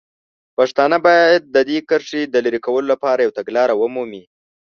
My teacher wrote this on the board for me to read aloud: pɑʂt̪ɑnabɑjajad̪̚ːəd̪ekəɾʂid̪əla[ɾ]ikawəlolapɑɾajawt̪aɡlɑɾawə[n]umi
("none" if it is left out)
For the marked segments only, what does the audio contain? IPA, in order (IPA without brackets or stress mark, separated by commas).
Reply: ɾ, m